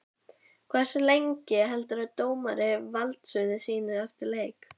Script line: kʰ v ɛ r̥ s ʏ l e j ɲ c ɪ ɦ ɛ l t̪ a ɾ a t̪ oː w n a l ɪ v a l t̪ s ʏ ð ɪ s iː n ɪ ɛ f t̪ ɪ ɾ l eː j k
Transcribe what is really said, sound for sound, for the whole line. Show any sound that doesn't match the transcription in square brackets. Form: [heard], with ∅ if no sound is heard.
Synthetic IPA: kʰ v ɛ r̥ s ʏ l e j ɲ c ɪ ɦ ɛ l t̪ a ɾ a t̪ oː w [m] a [ɾ] ɪ v a l t̪ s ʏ ð ɪ s iː n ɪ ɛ f t̪ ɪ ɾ l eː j k

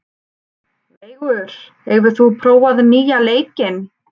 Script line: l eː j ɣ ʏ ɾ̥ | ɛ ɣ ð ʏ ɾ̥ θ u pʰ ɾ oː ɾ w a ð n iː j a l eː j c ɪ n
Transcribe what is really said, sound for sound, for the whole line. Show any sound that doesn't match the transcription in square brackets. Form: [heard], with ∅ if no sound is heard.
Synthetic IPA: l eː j ɣ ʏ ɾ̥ | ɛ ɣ [v] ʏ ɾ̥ θ u pʰ ɾ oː [∅] w a ð n iː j a l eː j c ɪ n

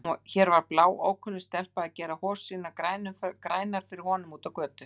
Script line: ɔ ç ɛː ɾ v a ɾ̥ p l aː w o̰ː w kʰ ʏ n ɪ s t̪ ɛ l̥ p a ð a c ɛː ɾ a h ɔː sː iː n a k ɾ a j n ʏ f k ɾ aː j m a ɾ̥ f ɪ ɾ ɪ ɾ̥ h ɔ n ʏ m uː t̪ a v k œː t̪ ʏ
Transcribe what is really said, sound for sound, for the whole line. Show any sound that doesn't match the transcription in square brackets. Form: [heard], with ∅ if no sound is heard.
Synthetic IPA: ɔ ç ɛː ɾ v a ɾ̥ p l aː w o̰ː w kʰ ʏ n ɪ s t̪ ɛ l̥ p a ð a c ɛː ɾ a h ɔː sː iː n a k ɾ a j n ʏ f k ɾ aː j [n] a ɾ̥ f ɪ ɾ ɪ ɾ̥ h ɔ n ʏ m uː t̪ a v k œː t̪ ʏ

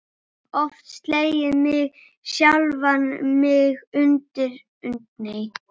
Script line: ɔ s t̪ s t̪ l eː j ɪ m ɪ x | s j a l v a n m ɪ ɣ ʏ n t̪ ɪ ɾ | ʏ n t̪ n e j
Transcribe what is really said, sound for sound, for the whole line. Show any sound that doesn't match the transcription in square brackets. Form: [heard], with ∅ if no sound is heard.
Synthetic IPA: ɔ [f] t̪ s t̪ l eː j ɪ m ɪ [ɣ] | s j a l v a n m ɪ ɣ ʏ n t̪ ɪ ɾ | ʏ n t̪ n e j

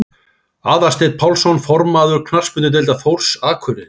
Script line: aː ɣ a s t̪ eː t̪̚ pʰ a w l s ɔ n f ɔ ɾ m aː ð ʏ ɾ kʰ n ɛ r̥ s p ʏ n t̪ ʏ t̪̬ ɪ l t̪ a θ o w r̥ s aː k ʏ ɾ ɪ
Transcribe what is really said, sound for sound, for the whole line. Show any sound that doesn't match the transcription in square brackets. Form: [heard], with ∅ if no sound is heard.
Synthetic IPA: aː [ð] a s t̪ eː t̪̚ pʰ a w l s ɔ n f ɔ ɾ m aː ð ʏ ɾ kʰ n [a] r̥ s p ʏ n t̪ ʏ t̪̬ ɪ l t̪ a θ o w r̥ s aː [kʰ] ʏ ɾ ɪ

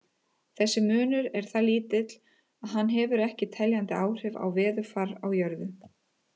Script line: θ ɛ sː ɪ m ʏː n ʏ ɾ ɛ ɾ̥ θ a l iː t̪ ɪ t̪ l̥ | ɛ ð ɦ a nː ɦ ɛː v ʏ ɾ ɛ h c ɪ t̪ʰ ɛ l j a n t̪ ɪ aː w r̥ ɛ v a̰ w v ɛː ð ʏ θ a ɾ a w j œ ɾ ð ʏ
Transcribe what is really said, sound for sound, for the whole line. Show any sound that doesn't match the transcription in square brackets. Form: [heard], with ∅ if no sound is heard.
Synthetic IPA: θ ɛ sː ɪ m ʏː n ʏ ɾ ɛ ɾ̥ θ a l iː t̪ ɪ t̪ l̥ | [a] ð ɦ a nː ɦ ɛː v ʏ ɾ ɛ h c ɪ t̪ʰ ɛ l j a n t̪ ɪ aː w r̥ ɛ v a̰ w v ɛː ð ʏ [f] a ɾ a w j œ ɾ ð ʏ

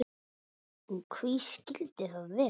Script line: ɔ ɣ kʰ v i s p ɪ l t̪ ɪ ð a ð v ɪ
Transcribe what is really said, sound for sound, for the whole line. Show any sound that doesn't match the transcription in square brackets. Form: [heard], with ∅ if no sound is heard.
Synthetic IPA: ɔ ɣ kʰ v i s [c] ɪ l t̪ ɪ [θ] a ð v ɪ

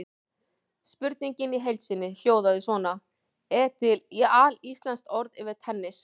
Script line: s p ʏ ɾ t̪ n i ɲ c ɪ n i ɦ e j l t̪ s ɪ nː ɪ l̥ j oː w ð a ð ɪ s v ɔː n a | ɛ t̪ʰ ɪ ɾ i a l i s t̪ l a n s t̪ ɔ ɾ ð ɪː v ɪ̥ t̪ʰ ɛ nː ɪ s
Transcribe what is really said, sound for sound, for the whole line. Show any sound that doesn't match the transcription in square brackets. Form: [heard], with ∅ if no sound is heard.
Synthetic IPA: s p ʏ ɾ t̪ n i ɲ c ɪ n i ɦ e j l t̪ s ɪ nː ɪ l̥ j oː w ð a ð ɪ s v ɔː n a | ɛ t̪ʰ ɪ [l] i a l i s t̪ l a n s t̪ ɔ ɾ ð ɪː v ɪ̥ t̪ʰ ɛ nː ɪ s

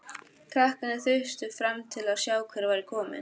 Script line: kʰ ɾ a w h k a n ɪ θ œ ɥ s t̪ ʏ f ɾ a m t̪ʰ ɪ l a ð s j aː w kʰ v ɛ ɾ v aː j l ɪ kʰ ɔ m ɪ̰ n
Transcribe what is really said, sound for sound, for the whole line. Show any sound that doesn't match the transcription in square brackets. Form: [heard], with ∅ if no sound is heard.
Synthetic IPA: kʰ ɾ a [∅] h k a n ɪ θ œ ɥ s t̪ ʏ f ɾ a m t̪ʰ ɪ l a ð s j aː w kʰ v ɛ ɾ v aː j [ɾ] ɪ kʰ [ɔː] m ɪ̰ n

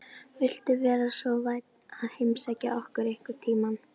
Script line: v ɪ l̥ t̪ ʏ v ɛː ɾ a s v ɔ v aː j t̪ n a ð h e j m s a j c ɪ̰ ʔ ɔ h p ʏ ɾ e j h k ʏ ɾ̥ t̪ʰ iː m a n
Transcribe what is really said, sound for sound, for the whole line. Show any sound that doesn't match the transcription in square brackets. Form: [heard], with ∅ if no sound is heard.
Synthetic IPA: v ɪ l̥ t̪ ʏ v ɛː ɾ a s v ɔ v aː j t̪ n a ð h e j m s a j c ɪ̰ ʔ ɔ h [k] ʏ ɾ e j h k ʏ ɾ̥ t̪ʰ iː m a n

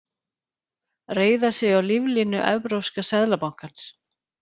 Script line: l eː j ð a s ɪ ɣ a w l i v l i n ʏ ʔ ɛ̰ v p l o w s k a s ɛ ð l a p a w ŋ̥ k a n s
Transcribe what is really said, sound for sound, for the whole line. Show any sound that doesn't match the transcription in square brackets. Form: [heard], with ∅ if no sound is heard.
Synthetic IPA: [r] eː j ð a s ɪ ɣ a w l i v l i n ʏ ʔ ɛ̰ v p [ɾ] o w s k a s ɛ ð l a p a w ŋ̥ k a n s

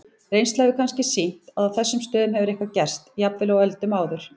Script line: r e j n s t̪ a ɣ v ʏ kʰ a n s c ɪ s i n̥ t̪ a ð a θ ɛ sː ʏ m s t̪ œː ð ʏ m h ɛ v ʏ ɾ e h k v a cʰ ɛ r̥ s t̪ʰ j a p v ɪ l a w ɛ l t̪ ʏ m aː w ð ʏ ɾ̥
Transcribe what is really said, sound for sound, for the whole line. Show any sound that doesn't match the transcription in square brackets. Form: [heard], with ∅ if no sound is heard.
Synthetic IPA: r e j n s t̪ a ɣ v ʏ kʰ a n s c ɪ s i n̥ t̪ a ð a θ ɛ sː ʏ m s t̪ œː ð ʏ m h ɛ v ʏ ɾ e h k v a [c] ɛ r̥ s [t̪] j a p v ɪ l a w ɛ l t̪ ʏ m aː w ð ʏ ɾ̥

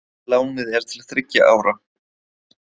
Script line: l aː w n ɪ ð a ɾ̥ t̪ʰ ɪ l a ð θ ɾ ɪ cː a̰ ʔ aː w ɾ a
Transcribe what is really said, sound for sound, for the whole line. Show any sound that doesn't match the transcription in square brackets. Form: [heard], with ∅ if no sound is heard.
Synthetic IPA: l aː w n ɪ ð [ɛ] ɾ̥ t̪ʰ ɪ l a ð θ ɾ ɪ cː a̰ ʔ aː w ɾ a

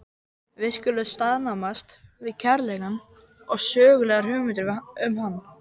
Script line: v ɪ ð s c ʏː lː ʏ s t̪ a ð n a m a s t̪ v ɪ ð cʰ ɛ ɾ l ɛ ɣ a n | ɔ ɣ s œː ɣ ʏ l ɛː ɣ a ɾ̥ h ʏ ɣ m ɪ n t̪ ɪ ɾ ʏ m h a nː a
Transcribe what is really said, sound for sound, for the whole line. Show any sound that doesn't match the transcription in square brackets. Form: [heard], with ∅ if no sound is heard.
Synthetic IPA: v ɪ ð s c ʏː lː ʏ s t̪ a ð n a m a s t̪ v ɪ ð cʰ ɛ ɾ l ɛ ɣ a n | ɔ ɣ s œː ɣ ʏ l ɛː ɣ a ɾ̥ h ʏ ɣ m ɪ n t̪ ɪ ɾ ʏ m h a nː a

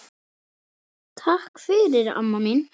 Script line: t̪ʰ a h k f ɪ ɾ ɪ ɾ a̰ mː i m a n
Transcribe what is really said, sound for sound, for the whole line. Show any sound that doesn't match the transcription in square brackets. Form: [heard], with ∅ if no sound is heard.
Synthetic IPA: t̪ʰ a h k f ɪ ɾ ɪ ɾ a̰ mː [a] m [i] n

